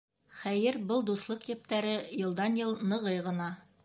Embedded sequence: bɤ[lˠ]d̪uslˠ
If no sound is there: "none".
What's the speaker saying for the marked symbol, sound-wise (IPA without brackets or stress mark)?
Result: lˠ